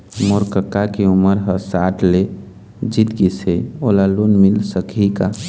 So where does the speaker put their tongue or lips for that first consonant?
lips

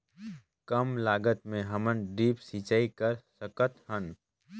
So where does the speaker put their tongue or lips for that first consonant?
velum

